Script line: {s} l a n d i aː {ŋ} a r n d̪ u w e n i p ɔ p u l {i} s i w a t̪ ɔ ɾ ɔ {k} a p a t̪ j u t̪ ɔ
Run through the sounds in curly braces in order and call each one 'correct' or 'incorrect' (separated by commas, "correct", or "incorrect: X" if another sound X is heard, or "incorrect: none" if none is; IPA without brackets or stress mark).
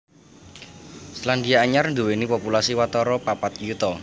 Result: correct, incorrect: ɲ, incorrect: a, incorrect: p